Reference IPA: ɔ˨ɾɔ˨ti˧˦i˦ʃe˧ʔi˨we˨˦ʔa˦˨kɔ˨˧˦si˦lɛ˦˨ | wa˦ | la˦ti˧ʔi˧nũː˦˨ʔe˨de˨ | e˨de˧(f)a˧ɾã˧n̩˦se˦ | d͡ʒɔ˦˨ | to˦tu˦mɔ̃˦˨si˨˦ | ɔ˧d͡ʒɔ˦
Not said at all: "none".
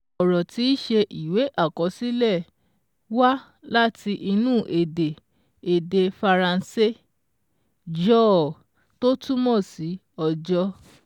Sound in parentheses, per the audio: f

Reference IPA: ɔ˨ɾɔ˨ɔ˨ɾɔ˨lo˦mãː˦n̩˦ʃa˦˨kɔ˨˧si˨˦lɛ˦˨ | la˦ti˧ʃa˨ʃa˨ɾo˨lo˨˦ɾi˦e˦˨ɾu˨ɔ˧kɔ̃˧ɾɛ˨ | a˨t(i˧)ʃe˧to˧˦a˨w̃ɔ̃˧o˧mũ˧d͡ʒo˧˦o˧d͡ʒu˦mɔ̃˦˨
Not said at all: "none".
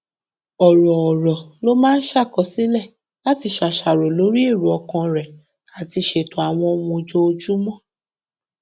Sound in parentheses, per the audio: i˧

